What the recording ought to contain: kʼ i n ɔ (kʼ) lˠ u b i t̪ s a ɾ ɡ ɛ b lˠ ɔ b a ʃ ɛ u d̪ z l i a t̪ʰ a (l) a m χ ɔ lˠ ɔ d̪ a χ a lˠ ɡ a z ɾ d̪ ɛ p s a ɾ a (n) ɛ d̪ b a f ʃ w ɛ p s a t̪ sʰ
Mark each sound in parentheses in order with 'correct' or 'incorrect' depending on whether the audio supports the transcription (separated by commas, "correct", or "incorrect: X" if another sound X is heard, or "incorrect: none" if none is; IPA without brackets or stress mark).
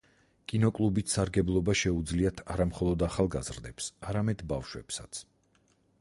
correct, incorrect: ɾ, incorrect: m